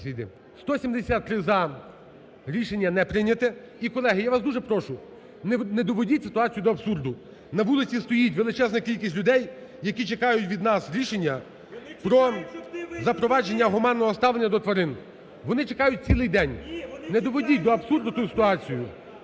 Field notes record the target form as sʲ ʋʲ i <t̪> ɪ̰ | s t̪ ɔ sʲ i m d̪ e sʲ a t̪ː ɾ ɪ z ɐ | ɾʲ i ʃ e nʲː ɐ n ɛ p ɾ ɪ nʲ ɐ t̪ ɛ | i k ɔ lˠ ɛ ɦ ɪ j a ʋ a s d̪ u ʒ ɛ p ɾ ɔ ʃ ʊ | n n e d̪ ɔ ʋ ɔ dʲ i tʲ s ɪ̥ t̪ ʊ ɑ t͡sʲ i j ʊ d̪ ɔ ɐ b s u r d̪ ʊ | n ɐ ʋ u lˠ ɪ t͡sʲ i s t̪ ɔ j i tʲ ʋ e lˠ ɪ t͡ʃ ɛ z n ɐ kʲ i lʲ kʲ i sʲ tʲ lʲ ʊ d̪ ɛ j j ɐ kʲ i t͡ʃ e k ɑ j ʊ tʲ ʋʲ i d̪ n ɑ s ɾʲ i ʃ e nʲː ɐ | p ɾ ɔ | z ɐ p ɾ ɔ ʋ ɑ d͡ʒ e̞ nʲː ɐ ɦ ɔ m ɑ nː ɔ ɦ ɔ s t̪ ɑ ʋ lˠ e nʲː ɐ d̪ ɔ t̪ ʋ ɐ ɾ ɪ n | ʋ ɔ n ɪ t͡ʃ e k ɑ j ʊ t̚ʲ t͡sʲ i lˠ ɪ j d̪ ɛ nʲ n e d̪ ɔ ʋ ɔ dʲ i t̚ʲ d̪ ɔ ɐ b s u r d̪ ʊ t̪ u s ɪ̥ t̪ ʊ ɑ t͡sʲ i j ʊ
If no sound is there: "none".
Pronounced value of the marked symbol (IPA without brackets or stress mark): d̪